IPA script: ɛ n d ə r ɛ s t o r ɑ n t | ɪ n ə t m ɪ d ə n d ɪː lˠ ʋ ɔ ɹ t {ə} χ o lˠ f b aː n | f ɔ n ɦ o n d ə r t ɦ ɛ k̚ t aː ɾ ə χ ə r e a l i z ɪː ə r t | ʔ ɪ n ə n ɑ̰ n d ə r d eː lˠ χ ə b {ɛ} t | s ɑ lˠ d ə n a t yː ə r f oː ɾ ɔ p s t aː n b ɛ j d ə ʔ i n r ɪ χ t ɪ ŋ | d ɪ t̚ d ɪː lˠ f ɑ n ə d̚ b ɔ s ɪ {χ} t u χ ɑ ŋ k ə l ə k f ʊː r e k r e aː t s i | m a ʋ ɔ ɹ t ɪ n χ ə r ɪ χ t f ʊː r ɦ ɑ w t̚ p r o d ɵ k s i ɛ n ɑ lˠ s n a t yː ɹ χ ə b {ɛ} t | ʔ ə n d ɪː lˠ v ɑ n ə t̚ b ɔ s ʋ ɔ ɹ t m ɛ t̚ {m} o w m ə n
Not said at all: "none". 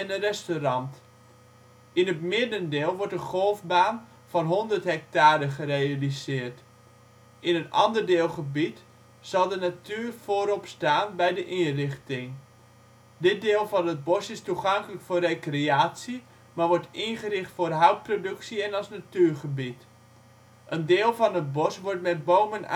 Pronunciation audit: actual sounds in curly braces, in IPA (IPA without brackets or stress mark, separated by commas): ə, i, s, i, b